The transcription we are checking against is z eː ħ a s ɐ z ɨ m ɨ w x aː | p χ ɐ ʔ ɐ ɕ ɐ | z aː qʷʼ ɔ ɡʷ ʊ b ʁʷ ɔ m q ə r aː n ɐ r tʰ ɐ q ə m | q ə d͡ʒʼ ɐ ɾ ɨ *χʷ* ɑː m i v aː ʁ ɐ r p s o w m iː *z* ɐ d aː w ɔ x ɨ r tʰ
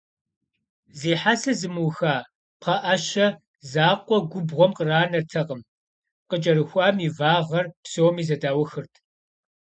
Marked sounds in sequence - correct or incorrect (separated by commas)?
incorrect, correct